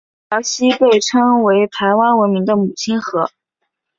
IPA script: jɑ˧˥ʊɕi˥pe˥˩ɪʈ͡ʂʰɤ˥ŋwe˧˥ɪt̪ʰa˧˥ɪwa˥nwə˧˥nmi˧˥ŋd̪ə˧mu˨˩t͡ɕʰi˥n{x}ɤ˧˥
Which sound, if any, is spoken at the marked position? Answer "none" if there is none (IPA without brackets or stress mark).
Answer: x